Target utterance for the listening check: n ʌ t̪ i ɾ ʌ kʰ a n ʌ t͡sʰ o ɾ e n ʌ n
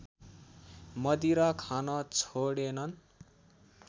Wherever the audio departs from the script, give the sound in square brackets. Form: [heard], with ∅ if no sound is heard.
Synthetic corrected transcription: [m] ʌ [d̪] i ɾ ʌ kʰ a n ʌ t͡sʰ o [ɽ] e n ʌ n